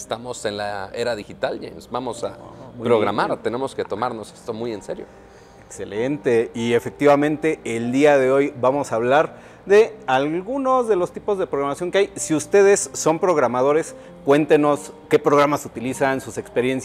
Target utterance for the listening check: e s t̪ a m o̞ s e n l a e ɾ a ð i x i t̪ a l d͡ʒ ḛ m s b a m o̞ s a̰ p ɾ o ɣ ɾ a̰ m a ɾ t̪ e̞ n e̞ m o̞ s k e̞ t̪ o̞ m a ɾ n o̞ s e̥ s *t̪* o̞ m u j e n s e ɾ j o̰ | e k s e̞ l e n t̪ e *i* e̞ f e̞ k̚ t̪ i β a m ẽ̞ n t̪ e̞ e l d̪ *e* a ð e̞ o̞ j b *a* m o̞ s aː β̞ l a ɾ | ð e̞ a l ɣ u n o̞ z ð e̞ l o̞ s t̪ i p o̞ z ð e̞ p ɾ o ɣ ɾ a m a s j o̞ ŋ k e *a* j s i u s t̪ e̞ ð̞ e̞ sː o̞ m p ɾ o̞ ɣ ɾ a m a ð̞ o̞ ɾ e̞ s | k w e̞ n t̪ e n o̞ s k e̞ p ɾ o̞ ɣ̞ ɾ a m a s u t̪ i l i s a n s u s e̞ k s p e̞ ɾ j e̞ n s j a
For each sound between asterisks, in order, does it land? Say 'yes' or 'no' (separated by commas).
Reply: yes, yes, no, yes, yes